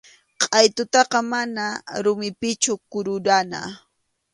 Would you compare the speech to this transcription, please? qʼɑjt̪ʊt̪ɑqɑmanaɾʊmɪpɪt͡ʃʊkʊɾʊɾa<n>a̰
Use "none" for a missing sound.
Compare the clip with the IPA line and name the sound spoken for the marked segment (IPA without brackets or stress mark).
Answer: n